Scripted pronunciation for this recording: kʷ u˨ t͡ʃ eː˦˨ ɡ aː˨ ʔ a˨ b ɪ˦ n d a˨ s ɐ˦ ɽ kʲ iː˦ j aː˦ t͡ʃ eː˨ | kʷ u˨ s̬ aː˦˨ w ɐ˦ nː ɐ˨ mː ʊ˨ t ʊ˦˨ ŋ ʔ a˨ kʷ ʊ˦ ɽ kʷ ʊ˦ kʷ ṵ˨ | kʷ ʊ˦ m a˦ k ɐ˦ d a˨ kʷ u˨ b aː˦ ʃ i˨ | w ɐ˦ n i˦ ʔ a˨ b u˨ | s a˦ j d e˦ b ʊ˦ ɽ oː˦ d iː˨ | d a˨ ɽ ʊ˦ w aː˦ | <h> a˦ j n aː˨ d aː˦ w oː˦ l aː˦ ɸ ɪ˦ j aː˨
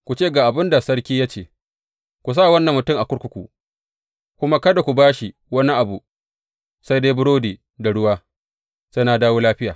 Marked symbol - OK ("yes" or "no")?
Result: no